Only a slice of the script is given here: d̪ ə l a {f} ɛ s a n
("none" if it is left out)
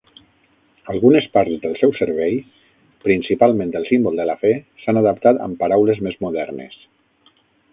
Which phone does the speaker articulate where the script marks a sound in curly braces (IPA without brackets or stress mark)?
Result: f